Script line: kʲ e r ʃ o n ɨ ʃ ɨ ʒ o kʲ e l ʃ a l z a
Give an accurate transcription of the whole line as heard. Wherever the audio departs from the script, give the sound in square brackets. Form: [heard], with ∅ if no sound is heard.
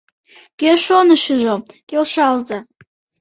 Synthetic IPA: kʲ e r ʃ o n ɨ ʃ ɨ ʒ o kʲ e l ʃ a l z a